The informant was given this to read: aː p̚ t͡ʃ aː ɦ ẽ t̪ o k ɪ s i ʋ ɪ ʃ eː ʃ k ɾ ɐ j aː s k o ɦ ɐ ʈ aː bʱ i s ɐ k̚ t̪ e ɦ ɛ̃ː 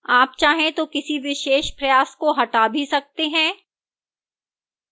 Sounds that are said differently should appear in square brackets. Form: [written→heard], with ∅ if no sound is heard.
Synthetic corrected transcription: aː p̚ t͡ʃ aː ɦ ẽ t̪ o k ɪ s i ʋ ɪ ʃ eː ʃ [k→p] ɾ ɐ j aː s k o ɦ ɐ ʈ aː bʱ i s ɐ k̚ t̪ e ɦ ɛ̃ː